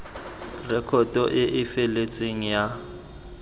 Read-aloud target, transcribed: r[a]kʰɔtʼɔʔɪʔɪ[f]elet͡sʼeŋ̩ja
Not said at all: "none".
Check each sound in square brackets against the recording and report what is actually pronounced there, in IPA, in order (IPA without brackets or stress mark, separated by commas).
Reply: ɛ, f